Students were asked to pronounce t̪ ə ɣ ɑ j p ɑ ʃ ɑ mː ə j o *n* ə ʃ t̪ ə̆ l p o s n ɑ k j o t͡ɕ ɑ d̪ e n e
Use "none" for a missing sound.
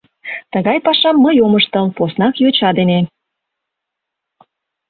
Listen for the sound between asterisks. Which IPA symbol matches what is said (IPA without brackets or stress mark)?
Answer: m